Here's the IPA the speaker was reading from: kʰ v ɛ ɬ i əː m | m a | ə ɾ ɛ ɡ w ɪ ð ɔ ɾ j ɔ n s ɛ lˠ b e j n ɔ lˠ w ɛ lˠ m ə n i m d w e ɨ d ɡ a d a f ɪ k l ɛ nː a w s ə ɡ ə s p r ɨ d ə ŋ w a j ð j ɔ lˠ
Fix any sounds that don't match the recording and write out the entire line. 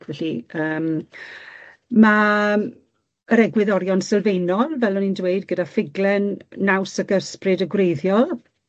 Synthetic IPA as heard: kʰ v ɛ ɬ i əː m | m a | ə ɾ ɛ ɡ w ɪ ð ɔ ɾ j ɔ n s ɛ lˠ v e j n ɔ lˠ v ɛ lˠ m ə n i n d w e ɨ d ɡ ə d a f ɪ ɡ l ɛ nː a w s ə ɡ ə s p r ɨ d ə ɡ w e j ð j ɔ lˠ